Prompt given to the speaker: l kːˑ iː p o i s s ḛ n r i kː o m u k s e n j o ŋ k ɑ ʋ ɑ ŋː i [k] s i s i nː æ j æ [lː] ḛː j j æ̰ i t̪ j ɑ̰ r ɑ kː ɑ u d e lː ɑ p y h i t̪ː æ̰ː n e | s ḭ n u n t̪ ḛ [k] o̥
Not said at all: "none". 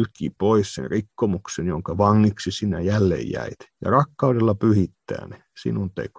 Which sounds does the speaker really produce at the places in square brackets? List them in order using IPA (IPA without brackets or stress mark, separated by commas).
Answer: k, lː, k